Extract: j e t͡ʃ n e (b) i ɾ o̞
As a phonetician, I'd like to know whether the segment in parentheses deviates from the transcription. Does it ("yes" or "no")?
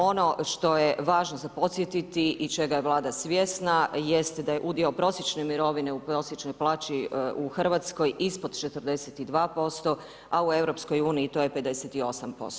yes